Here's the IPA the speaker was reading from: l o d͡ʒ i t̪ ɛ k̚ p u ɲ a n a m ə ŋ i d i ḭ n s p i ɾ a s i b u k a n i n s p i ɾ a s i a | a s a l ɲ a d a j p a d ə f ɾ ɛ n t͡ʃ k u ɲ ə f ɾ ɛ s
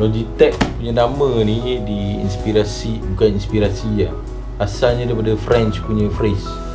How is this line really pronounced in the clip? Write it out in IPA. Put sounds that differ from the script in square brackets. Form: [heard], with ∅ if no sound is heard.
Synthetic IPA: l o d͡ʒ i t̪ ɛ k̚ p u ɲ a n a m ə [n] i d i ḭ n s p i ɾ a s i b u k a n i n s p i ɾ a s i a | a s a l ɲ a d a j p a d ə f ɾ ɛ n t͡ʃ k u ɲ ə f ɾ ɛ s